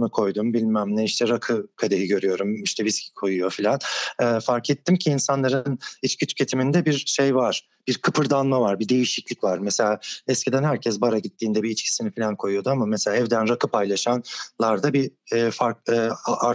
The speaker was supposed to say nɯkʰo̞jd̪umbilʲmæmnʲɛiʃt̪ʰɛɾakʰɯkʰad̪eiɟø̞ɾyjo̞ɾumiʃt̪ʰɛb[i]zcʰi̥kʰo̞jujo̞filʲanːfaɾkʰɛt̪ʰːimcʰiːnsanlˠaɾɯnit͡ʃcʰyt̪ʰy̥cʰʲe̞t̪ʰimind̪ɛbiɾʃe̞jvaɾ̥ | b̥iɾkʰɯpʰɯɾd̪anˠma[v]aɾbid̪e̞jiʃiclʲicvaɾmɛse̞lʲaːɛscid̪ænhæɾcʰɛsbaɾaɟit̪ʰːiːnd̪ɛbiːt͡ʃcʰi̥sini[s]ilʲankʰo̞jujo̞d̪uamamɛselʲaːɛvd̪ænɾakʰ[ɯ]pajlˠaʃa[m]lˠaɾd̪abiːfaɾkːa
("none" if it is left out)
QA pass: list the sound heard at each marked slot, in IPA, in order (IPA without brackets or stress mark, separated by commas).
i, v, f, ɯ, n